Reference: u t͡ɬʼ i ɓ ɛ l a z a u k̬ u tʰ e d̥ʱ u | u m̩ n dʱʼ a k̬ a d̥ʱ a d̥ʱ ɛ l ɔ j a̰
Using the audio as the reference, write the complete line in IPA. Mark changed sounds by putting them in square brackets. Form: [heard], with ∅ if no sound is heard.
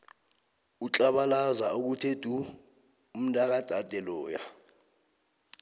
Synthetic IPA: u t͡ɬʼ [a] ɓ [a] l a z a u k̬ u tʰ e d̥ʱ u | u m̩ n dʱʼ a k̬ a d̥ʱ a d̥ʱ ɛ l [ɔː] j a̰